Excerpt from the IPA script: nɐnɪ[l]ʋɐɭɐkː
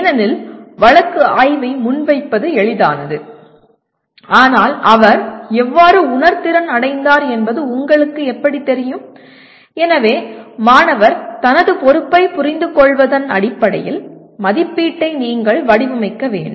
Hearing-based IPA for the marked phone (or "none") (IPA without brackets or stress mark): l